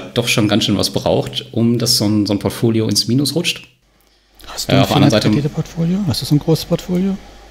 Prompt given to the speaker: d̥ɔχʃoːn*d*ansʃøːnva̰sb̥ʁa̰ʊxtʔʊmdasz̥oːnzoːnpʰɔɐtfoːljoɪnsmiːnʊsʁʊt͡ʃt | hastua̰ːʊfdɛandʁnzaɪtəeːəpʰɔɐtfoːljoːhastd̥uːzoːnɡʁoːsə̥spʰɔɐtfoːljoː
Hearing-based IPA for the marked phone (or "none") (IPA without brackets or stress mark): ɡ